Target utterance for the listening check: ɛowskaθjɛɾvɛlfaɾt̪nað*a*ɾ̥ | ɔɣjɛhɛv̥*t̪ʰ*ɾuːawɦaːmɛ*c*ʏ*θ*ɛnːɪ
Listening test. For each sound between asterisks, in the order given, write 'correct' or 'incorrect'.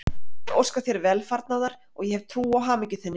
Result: correct, correct, correct, correct

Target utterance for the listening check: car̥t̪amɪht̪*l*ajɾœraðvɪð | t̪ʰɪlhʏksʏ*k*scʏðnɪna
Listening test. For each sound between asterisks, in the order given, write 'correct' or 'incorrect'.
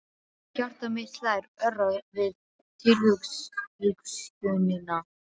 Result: correct, correct

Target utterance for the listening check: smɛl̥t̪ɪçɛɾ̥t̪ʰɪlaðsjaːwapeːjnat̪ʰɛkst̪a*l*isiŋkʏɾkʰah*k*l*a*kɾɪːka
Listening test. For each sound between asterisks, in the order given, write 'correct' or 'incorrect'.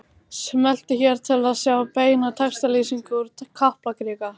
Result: correct, incorrect, correct

